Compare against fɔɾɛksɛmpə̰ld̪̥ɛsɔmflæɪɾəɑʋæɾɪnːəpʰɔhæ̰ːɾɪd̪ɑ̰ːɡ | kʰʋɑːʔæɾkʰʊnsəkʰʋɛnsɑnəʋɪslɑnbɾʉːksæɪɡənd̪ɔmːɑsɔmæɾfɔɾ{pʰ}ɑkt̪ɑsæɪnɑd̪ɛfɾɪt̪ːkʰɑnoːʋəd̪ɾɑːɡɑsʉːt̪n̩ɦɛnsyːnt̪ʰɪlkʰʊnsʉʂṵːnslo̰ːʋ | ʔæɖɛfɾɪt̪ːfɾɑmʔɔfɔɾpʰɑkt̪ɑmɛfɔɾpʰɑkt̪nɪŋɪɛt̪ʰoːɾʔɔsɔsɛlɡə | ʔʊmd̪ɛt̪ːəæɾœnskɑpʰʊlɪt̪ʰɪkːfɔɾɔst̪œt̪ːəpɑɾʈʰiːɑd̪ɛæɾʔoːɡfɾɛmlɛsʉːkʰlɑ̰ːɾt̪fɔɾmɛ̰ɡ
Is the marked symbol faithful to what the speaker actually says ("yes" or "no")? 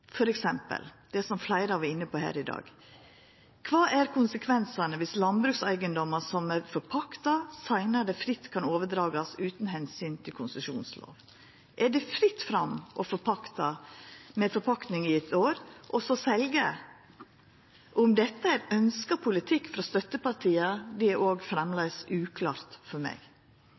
yes